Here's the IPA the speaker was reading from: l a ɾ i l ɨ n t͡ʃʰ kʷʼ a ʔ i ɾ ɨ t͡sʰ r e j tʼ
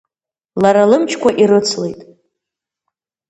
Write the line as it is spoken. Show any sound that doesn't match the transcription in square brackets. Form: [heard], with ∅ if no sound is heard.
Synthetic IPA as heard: l a ɾ [a] l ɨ [m] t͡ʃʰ [kʷ] a ʔ i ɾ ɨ t͡sʰ [l] e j tʼ